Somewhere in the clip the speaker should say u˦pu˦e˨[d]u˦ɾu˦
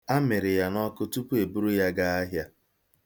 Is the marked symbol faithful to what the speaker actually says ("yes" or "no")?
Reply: no